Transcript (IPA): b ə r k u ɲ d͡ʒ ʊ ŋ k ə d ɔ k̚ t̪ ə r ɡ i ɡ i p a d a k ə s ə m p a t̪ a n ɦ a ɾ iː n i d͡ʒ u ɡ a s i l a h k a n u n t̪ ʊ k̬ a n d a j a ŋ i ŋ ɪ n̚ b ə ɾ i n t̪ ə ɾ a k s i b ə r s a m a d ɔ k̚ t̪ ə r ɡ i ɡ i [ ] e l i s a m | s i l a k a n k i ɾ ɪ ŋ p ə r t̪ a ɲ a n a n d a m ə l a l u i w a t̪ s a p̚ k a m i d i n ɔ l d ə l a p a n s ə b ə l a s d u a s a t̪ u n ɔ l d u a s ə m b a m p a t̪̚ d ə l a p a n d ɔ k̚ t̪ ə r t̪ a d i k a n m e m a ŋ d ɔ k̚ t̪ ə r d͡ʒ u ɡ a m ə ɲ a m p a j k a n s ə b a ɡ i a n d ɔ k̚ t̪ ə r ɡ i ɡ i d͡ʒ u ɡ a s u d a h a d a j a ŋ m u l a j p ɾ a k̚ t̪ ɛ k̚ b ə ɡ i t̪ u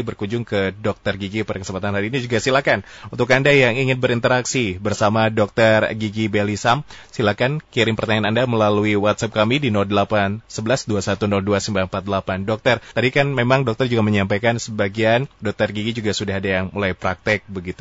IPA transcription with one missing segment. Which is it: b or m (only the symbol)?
b